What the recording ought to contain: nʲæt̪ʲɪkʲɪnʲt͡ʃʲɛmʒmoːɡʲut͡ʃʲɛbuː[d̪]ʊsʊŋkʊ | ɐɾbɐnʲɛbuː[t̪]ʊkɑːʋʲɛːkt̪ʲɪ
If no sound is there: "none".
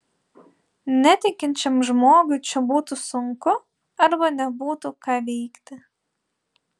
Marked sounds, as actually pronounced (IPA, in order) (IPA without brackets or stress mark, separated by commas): t̪, t̪